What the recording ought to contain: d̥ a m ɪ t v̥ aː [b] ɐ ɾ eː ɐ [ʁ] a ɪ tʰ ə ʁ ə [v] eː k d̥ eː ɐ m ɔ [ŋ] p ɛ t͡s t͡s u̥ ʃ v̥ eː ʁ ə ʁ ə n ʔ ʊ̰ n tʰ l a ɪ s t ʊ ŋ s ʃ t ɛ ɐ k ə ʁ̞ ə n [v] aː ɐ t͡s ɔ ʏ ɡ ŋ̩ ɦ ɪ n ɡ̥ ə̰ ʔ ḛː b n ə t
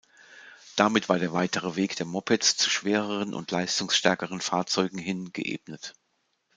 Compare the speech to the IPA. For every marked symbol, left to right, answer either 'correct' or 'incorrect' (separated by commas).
incorrect, incorrect, correct, incorrect, incorrect